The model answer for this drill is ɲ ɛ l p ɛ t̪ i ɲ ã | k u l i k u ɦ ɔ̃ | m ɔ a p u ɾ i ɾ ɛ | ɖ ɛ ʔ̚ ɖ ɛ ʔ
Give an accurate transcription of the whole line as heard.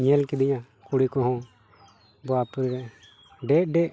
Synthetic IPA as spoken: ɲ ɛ l k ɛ d̪ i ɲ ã | k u ɽ i k ɔ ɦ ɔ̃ | b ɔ a p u ɾ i ɾ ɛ | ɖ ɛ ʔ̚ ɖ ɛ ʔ